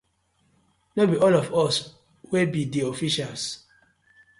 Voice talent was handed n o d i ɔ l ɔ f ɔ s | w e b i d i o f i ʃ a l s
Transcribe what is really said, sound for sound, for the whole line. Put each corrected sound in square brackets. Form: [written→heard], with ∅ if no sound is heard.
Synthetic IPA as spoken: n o [d→b] i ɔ l ɔ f ɔ s | w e b i d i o f i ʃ a l s